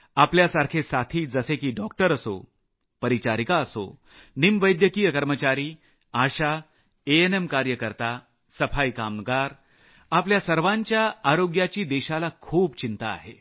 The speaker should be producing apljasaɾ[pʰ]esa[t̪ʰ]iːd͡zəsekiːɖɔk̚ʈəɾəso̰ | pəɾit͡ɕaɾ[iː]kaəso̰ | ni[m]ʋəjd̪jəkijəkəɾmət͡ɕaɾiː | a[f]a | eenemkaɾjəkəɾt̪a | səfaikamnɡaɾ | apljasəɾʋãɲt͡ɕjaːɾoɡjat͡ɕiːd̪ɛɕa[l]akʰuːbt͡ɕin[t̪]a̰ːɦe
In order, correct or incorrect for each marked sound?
incorrect, correct, incorrect, correct, incorrect, correct, correct

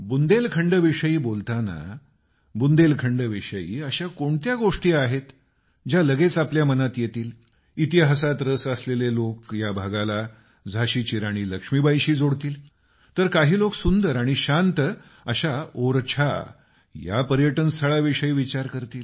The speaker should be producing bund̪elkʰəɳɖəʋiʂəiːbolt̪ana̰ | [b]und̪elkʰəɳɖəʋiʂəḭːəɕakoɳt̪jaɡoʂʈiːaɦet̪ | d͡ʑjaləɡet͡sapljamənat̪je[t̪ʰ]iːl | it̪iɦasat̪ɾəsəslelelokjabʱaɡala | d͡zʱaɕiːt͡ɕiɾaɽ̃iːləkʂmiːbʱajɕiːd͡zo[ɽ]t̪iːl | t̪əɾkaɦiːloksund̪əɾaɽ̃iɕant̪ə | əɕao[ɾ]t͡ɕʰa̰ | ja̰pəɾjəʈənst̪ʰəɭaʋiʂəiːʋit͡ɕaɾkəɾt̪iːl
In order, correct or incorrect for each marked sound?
correct, incorrect, correct, correct

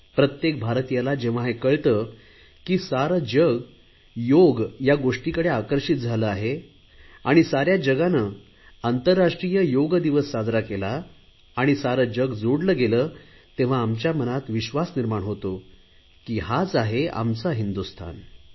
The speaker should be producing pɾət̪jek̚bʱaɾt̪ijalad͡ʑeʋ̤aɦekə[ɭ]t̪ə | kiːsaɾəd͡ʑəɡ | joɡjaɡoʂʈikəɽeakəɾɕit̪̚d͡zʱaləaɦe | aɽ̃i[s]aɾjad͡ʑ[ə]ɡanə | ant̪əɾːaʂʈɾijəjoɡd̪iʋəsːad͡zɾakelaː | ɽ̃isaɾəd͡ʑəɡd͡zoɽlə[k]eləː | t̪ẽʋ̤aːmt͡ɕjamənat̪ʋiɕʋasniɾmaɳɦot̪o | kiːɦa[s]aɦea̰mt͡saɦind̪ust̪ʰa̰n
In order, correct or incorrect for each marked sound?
correct, correct, correct, incorrect, incorrect

